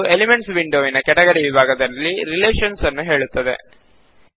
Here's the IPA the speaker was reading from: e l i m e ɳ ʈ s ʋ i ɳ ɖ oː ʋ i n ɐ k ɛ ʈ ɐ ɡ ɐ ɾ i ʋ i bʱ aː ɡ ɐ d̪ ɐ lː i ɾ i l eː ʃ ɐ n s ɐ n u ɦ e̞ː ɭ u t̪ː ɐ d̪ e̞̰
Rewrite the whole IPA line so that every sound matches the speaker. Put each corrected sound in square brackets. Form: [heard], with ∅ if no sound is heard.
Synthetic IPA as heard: e l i m e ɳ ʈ s ʋ i ɳ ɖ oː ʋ i n ɐ k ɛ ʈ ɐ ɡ ɐ ɾ i ʋ i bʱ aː ɡ ɐ d̪ ɐ lː i ɾ i l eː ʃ ɐ n s ɐ [nː] u ɦ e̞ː ɭ u t̪ː ɐ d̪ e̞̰